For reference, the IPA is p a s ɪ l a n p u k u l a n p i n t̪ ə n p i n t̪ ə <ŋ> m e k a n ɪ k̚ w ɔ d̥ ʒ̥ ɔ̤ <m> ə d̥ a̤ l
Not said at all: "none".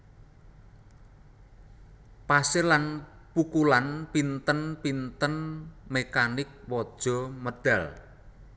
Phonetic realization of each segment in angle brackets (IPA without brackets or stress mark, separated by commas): n, m